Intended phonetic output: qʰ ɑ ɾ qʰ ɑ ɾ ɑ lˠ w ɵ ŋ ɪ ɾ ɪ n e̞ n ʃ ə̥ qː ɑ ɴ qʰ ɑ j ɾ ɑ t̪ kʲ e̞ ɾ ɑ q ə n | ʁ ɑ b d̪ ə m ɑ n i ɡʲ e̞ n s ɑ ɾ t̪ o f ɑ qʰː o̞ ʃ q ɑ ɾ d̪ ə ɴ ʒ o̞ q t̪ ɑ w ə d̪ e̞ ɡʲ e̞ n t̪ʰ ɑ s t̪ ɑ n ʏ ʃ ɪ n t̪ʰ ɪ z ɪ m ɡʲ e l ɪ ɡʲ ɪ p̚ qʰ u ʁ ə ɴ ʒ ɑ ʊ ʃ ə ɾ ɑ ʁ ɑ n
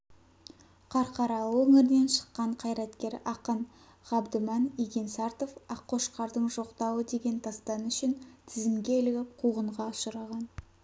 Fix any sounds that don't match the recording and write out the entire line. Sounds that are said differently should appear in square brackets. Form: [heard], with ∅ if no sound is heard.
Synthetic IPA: qʰ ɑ ɾ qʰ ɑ ɾ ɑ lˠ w ɵ ŋ ɪ ɾ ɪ n e̞ n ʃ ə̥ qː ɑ ɴ qʰ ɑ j ɾ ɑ t̪ kʲ e̞ ɾ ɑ q ə n | ʁ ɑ b d̪ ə m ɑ n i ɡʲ e̞ n s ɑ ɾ t̪ o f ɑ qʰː o̞ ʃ q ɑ ɾ d̪ ə ɴ ʒ o̞ q t̪ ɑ w ə d̪ e̞ ɡʲ e̞ n t̪ʰ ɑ s t̪ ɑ n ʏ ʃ ɪ n t̪ʰ ɪ z ɪ m ɡʲ e l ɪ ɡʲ ɪ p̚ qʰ u ʁ ə ɴ [ʁ] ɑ ʊ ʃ ə ɾ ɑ ʁ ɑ n